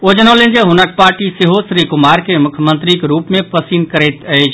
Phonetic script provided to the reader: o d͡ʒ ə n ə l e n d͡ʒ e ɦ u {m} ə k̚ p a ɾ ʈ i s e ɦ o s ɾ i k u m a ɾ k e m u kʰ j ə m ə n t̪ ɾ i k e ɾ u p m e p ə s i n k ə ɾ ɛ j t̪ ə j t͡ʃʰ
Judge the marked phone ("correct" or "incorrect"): incorrect